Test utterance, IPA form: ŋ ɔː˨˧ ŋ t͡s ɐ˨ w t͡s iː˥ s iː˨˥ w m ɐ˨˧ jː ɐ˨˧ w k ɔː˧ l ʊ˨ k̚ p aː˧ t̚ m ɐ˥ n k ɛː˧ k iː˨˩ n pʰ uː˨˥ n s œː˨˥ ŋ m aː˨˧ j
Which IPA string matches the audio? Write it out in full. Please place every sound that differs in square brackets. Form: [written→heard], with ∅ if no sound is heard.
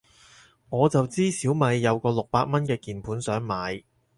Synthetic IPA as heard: ŋ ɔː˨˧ [ŋ→∅] t͡s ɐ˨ w t͡s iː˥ s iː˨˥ w m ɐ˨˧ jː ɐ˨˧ w k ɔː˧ l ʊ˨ k̚ p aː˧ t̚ m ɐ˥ n k ɛː˧ k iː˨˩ n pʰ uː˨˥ n s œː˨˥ ŋ m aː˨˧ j